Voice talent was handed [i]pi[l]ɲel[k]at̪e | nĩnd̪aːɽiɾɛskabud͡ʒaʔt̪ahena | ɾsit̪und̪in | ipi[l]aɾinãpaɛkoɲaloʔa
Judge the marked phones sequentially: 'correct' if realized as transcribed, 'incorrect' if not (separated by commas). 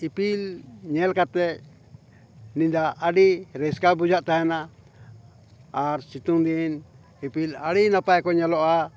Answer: correct, correct, correct, correct